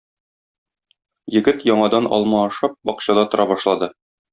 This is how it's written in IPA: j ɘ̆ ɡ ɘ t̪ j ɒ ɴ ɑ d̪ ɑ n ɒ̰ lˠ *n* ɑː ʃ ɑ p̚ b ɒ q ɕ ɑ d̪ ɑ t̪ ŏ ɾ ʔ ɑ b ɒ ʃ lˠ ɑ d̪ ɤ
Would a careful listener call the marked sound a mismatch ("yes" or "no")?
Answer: yes